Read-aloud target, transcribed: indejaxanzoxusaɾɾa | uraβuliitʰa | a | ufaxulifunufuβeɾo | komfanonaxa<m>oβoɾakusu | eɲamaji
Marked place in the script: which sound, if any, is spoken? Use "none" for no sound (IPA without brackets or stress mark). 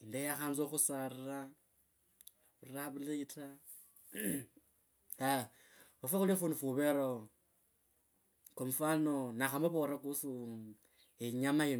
m